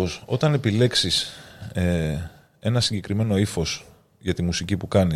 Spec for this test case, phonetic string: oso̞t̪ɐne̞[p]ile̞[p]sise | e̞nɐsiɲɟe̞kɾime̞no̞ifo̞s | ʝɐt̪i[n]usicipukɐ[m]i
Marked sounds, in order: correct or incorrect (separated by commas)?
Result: correct, incorrect, incorrect, incorrect